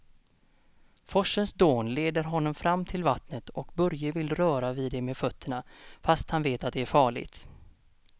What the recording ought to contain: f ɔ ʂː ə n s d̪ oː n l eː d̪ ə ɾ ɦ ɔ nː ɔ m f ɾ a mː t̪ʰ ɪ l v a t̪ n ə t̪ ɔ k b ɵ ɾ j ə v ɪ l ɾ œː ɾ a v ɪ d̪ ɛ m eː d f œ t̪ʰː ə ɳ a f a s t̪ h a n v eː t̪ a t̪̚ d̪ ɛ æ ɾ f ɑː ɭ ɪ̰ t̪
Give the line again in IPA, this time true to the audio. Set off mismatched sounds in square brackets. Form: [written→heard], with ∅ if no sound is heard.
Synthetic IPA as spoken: f ɔ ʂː ə n s d̪ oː n l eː d̪ ə ɾ ɦ ɔ nː ɔ m f ɾ a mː t̪ʰ ɪ l v a t̪ n ə t̪ ɔ k b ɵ ɾ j ə v ɪ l ɾ œː ɾ a v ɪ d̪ ɛ m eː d f œ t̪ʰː ə ɳ a f a s t̪ h a n v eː t̪ a t̪̚ d̪ ɛ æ ɾ f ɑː ɭ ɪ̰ t̪